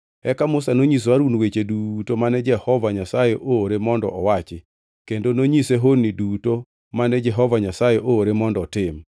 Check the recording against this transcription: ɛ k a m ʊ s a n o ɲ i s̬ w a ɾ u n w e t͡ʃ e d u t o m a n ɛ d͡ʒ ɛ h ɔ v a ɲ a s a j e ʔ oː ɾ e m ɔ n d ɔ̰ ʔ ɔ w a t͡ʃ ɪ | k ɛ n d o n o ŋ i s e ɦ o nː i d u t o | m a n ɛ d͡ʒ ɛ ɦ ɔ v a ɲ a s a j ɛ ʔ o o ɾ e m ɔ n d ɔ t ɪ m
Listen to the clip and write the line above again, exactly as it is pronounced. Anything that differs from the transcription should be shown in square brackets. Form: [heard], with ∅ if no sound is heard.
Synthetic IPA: ɛ k a m ʊ s a n o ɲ i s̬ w a ɾ u n w e t͡ʃ e d u t o m a n ɛ d͡ʒ ɛ h ɔ v a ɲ a s a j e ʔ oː ɾ e m ɔ n d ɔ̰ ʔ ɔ w a t͡ʃ ɪ | k [e] n d o n o [ɲ] i s e ɦ o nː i d u t o | m a n ɛ d͡ʒ ɛ ɦ ɔ v a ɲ a s a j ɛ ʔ o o ɾ e m ɔ n d ɔ t ɪ m